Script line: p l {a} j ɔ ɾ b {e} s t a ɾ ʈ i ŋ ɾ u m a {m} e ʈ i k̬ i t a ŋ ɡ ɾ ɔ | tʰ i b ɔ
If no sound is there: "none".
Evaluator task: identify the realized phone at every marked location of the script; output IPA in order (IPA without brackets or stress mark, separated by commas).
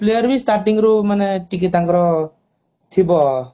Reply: e, i, n